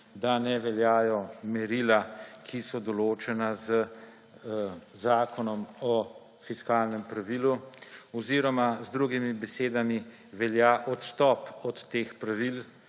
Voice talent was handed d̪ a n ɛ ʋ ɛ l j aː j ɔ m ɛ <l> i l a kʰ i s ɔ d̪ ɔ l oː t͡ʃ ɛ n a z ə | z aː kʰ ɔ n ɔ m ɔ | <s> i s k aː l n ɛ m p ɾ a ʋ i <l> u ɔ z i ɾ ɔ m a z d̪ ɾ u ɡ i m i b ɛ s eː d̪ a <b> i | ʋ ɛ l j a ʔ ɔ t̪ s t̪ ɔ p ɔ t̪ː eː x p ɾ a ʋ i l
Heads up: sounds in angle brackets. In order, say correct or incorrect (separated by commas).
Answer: incorrect, incorrect, correct, incorrect